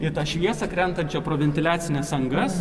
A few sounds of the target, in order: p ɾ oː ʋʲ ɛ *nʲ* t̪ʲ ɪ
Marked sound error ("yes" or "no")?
no